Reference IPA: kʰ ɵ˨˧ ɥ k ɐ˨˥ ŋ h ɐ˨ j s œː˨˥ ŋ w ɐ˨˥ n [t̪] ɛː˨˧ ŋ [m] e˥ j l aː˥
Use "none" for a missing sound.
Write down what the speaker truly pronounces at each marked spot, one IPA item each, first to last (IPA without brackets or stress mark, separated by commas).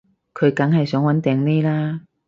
t̪, n